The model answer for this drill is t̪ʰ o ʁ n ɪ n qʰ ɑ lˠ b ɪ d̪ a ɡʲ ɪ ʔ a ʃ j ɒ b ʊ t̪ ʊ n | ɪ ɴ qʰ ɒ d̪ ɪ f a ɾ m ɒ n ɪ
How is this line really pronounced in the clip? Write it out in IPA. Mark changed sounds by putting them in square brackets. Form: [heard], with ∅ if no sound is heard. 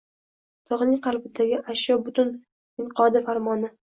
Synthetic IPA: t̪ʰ [ɒ] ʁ n ɪ [ŋ] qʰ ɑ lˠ b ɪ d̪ a ɡʲ ɪ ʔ a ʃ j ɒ b ʊ t̪ ʊ n | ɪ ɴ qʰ ɒ d̪ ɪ f a ɾ m ɒ n ɪ